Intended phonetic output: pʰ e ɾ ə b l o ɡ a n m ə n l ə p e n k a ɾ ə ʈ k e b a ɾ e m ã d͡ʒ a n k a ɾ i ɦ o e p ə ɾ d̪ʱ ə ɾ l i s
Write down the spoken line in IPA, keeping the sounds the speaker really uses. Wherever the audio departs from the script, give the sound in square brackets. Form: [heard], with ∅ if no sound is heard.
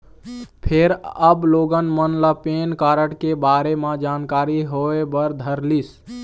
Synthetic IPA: pʰ e ɾ ə b l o ɡ [ə] n m ə n l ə p e n k a ɾ ə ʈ k e b a ɾ e m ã d͡ʒ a n k a ɾ i ɦ o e [b] ə ɾ d̪ʱ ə ɾ l i s